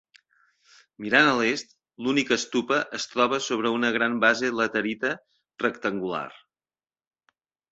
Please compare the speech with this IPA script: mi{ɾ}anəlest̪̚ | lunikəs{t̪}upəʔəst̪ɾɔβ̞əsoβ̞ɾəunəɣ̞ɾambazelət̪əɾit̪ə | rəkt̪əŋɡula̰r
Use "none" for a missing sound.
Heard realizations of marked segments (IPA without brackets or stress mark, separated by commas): ɾ, t̪